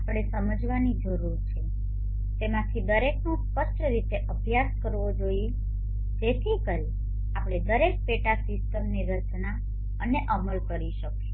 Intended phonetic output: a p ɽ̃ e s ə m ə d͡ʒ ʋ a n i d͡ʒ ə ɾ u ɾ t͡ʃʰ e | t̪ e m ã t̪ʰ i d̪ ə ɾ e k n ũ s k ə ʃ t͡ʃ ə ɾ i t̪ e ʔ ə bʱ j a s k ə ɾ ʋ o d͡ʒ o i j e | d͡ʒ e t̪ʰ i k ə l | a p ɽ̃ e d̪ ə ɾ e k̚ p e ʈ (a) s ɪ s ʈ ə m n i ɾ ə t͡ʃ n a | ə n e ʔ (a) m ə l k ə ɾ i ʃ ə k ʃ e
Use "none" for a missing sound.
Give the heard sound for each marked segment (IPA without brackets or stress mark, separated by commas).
a, ə